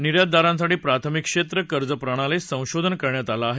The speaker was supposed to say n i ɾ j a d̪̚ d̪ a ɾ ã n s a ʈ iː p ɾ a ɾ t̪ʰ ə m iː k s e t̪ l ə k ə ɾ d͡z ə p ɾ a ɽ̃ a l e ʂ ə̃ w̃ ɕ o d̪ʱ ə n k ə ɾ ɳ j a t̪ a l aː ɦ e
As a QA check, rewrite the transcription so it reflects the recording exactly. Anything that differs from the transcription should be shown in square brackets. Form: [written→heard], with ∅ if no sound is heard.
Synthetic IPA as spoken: n i ɾ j a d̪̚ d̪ a ɾ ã n s a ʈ iː p ɾ a [ɾ→∅] t̪ʰ ə m [iː→i] k [s→ʂ] e t̪ [l→ɾ] ə k ə ɾ d͡z ə p ɾ a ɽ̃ a l e [ʂ→s] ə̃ w̃ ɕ o d̪ʱ ə n k ə ɾ ɳ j a t̪ a l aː ɦ e